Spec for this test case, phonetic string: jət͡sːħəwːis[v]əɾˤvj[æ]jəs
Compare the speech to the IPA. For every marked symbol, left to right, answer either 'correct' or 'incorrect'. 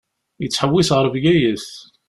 incorrect: ʁ, correct

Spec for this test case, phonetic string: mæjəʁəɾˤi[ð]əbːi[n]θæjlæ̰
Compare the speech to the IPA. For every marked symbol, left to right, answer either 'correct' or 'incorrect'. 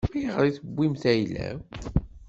incorrect: θ, incorrect: m

